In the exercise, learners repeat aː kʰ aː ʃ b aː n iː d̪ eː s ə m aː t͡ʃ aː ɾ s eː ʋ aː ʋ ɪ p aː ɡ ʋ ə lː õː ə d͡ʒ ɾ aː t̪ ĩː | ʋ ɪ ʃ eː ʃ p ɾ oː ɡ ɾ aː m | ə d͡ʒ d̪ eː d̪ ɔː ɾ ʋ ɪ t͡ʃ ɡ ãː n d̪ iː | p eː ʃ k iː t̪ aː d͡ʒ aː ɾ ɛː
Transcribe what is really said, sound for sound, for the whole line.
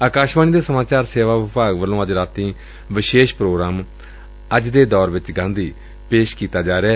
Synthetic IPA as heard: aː k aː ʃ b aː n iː d̪ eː s ə m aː t͡ʃ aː ɾ s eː ʋ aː ʋ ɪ p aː ɡ ʋ ə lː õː ə d͡ʒ ɾ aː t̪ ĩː | ʋ ɪ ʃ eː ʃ p ɾ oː ɡ ɾ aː m | ə d͡ʒ d̪ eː d̪ ɔː ɾ ʋ ɪ t͡ʃ ɡ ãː n d̪ iː | p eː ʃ k iː t̪ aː d͡ʒ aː ɾ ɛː